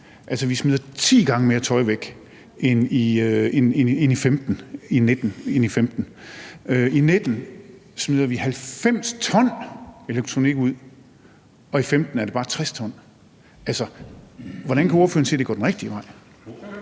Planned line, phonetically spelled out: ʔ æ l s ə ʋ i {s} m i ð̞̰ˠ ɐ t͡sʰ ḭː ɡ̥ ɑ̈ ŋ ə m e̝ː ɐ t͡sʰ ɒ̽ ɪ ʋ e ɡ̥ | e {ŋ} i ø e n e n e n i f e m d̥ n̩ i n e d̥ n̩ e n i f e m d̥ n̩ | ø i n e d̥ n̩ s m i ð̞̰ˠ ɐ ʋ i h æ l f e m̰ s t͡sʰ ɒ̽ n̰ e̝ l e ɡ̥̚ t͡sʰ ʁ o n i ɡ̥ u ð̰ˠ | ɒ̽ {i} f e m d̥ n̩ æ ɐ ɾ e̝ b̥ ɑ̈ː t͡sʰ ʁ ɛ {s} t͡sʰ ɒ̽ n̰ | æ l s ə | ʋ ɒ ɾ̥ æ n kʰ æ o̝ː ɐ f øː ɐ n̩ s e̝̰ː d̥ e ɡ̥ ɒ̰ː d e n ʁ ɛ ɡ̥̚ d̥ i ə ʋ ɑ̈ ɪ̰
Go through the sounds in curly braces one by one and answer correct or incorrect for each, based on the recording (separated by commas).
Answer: correct, incorrect, correct, correct